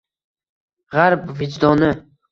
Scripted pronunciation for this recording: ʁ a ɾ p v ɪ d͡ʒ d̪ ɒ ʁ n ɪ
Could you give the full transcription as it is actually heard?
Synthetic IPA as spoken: ʁ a ɾ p v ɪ d͡ʒ d̪ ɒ n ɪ